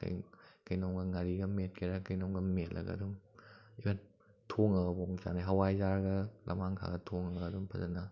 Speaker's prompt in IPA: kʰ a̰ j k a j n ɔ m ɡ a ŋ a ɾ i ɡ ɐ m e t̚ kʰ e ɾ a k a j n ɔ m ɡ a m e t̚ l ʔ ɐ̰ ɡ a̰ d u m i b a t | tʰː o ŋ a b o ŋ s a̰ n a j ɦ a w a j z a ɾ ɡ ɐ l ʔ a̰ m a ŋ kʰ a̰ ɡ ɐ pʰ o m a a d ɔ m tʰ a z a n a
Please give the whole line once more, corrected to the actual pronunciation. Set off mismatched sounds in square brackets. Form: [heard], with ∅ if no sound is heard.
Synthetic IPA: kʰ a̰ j k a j n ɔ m ɡ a ŋ a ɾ i ɡ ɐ m e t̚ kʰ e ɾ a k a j n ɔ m ɡ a m e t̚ l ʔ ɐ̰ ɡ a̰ d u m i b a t | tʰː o ŋ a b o ŋ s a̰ n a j ɦ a w a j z a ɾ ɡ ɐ l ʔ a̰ m a ŋ kʰ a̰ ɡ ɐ [tʰ] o [ŋ] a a d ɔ m [pʰ] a z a n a

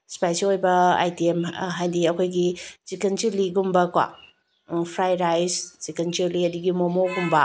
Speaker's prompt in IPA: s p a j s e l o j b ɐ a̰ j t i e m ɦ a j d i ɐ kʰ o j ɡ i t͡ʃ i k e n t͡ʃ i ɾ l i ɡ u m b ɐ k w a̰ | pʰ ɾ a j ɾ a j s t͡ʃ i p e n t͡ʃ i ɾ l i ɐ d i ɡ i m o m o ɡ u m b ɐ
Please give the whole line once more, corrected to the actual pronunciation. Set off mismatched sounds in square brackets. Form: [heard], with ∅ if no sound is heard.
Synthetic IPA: s p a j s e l o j b ɐ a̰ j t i e m ɦ a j d i ɐ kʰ o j ɡ i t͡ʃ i k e n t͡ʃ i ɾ l i ɡ u m b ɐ k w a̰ | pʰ ɾ a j ɾ a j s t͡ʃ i [k] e n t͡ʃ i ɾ l i ɐ d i ɡ i m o m o ɡ u m b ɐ

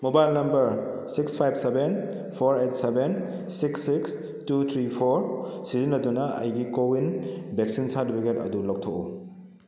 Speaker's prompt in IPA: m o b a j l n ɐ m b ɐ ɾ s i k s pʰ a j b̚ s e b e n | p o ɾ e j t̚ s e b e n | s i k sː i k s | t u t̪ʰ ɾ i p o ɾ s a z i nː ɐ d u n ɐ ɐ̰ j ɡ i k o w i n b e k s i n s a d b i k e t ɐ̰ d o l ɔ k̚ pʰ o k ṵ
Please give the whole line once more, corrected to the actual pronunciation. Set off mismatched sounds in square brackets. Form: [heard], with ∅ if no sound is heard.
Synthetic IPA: m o b a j l n ɐ m b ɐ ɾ s i k s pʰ a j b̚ s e b e n | [pʰ] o ɾ e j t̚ s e b e n | s i k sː i k s | t u t̪ʰ ɾ i [pʰ] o ɾ s [i] z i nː ɐ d u n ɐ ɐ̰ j ɡ i k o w i n b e k s i n s a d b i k e t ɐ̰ d [u] l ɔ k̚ [tʰ] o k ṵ

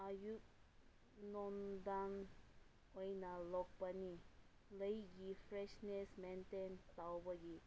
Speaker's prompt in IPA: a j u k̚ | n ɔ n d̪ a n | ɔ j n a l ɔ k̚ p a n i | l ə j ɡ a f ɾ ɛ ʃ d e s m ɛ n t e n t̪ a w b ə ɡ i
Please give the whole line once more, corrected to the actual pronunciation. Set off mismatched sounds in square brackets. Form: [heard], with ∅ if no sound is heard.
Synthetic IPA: a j u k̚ | n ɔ n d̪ a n | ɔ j n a l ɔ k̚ p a n i | l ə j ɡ [i] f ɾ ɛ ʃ [n] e s m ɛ n t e n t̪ a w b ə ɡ i

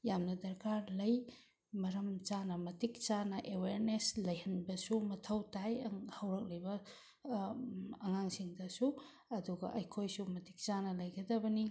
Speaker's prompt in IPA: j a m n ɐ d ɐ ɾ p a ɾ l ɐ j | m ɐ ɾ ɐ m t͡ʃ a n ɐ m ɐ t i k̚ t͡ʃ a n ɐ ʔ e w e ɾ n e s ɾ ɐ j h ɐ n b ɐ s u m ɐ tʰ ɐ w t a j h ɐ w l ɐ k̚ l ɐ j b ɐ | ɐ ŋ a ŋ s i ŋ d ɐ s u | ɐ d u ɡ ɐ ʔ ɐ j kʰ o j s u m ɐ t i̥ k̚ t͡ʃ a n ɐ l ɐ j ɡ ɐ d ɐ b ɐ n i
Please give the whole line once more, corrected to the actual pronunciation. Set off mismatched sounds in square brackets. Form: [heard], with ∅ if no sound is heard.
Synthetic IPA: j a m n ɐ d ɐ ɾ [k] a ɾ l ɐ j | m ɐ ɾ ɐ m t͡ʃ a n ɐ m ɐ t i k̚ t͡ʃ a n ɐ ʔ e w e ɾ n e s [l] ɐ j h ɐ n b ɐ s u m ɐ tʰ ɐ w t a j h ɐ w [ɾ] ɐ k̚ l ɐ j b ɐ | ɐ ŋ a ŋ s i ŋ d ɐ s u | ɐ d u ɡ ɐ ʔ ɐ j kʰ o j s u m ɐ t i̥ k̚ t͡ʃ a n ɐ l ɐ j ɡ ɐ d ɐ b ɐ n i

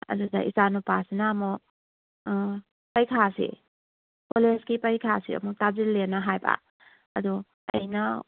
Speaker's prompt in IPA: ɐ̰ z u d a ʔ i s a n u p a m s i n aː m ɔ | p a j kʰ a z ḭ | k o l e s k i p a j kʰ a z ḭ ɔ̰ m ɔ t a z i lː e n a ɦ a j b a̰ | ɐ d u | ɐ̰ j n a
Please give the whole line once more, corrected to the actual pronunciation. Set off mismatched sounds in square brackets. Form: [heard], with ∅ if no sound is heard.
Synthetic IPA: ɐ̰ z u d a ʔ i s a n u p a [∅] s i n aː m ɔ | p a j kʰ a [s] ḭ | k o l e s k i p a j kʰ a [s] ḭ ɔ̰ m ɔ t a z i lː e n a ɦ a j b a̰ | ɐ d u | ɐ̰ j n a

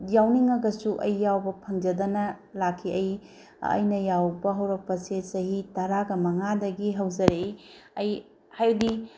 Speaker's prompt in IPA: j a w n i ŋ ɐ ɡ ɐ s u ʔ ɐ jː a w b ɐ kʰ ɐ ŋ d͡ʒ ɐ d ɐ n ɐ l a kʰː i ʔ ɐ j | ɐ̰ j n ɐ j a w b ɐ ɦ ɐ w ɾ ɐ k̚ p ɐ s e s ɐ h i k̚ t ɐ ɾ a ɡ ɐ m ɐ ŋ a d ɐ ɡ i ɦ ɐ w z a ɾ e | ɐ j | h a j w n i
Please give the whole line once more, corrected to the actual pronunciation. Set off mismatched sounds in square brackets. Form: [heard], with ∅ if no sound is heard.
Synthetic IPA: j a w n i ŋ ɐ ɡ ɐ s u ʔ ɐ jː a w b ɐ [pʰ] ɐ ŋ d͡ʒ ɐ d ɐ n ɐ l a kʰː i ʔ ɐ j | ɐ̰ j n ɐ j a w b ɐ ɦ ɐ w ɾ ɐ k̚ p ɐ s e s ɐ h i [∅] t ɐ ɾ a ɡ ɐ m ɐ ŋ a d ɐ ɡ i ɦ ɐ w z [ɐ] ɾ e | ɐ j | h a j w [d] i

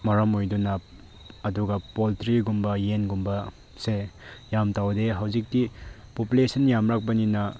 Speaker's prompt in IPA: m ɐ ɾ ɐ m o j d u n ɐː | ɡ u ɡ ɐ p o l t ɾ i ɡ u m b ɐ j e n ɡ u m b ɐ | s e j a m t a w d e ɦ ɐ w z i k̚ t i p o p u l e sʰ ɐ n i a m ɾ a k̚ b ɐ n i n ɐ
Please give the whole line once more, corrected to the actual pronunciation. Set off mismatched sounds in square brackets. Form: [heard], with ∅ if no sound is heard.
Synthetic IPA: m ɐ ɾ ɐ m o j d u n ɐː | [d] u ɡ ɐ p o l t ɾ i ɡ u m b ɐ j e n ɡ u m b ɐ | s e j a m t a w d e ɦ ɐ w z i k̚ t i p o p u l e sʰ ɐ n [j] a m ɾ a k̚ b ɐ n i n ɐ

